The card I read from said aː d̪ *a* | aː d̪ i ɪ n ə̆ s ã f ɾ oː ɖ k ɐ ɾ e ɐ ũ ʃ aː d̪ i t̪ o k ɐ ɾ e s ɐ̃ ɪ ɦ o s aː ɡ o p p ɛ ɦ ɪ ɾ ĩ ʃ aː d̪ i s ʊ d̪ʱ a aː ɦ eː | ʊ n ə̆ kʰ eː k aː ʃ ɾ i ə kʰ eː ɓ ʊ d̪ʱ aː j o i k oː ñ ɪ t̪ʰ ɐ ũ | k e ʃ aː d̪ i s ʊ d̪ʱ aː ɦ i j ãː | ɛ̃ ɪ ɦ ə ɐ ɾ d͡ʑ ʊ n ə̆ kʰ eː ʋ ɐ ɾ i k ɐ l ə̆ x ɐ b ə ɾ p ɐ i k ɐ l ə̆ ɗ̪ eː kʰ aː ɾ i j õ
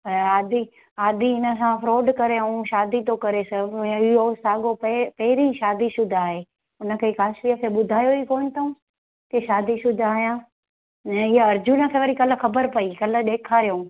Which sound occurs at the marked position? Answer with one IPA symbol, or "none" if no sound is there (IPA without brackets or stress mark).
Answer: i